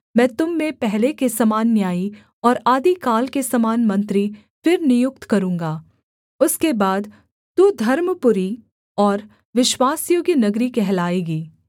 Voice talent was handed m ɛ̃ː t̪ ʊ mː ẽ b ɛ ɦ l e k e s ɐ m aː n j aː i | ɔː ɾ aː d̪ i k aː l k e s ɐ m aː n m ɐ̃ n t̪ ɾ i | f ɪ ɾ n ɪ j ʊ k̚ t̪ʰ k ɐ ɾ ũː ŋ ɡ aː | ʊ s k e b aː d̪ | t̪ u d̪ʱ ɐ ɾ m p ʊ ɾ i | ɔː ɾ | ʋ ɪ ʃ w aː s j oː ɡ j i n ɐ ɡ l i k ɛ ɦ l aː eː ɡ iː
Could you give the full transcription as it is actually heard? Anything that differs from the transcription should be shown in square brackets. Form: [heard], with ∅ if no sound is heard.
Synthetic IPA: m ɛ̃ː t̪ ʊ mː ẽ [p] ɛ ɦ l e k e s ɐ m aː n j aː i | ɔː ɾ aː d̪ i k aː l k e s ɐ m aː n m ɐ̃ n t̪ ɾ i | f ɪ ɾ n ɪ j ʊ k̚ [t̪] k ɐ ɾ ũː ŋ ɡ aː | ʊ s k e b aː d̪ | t̪ u d̪ʱ ɐ ɾ m p ʊ ɾ i | ɔː ɾ | ʋ ɪ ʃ w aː s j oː ɡ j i n ɐ ɡ [ɾ] i k ɛ ɦ l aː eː ɡ iː